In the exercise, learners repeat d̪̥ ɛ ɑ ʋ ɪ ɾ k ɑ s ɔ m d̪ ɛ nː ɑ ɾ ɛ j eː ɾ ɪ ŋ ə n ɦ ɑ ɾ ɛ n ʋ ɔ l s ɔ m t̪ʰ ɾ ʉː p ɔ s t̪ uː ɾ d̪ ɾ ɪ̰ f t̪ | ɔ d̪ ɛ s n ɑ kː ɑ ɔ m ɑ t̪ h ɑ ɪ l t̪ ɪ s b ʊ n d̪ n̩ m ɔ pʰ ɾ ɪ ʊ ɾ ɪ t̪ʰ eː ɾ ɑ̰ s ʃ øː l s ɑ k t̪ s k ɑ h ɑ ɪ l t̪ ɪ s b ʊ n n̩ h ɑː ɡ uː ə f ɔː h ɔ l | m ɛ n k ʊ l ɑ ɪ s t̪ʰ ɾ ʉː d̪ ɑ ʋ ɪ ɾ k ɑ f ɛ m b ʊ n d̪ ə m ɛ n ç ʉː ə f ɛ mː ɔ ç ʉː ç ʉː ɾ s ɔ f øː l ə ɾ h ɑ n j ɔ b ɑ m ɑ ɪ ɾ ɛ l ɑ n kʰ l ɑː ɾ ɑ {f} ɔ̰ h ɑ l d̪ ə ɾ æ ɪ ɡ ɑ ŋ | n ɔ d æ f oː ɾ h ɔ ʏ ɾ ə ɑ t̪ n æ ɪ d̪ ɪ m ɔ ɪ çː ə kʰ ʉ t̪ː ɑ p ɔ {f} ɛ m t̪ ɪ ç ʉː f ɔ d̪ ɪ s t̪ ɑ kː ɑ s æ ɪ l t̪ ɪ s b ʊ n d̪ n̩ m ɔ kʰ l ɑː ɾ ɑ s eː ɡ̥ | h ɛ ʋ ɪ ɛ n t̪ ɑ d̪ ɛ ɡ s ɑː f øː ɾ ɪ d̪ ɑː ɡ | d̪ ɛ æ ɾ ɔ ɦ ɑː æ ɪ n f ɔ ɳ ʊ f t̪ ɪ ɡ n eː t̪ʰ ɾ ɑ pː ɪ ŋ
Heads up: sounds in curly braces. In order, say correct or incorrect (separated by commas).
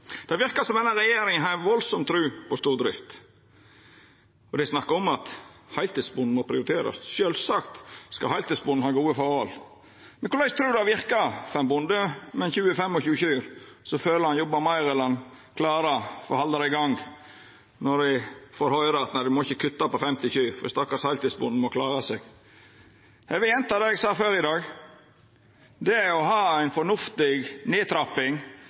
correct, correct